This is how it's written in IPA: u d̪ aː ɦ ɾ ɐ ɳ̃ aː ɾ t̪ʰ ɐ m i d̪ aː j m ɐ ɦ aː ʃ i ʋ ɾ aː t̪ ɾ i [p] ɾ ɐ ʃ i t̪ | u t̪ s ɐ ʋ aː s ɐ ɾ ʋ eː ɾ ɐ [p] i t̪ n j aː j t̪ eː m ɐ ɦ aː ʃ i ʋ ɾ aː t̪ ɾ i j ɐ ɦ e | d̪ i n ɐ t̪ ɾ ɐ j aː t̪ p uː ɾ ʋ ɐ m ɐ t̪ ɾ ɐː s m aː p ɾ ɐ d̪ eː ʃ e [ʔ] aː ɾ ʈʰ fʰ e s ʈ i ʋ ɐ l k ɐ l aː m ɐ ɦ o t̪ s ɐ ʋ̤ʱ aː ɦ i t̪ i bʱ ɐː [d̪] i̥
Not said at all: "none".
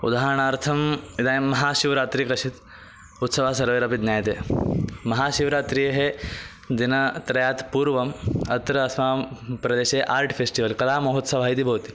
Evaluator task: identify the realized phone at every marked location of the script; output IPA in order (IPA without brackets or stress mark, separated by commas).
k, p, ʔ, t̪